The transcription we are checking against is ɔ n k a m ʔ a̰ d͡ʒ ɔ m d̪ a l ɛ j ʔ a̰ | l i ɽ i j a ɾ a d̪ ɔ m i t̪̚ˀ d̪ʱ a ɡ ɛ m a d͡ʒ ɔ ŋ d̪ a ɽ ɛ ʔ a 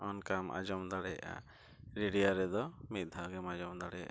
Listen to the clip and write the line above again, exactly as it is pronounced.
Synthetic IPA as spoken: ɔ n k a m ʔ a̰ d͡ʒ ɔ m d̪ a ɽ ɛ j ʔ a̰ | ɾ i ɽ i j a ɾ ɛ d̪ ɔ m i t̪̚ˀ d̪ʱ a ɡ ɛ m a d͡ʒ ɔ m d̪ a ɽ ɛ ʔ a